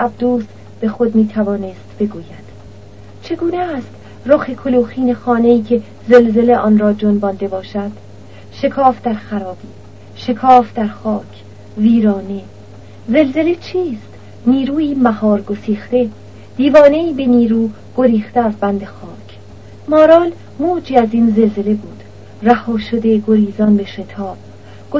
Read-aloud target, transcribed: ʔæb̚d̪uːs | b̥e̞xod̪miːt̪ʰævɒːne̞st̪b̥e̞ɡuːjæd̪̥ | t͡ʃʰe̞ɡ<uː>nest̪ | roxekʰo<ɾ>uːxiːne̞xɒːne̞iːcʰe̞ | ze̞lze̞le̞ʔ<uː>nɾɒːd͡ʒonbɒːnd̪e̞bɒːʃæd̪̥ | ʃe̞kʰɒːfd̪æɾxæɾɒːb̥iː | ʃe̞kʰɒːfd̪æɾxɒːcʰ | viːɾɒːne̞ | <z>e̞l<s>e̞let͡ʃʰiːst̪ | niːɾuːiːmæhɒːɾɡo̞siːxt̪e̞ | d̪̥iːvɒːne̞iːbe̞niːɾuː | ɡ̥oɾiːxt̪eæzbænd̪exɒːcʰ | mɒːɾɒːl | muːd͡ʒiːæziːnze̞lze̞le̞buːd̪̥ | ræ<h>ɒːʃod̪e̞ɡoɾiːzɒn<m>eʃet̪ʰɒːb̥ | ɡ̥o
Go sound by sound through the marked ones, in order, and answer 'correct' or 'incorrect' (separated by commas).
correct, incorrect, incorrect, correct, incorrect, correct, incorrect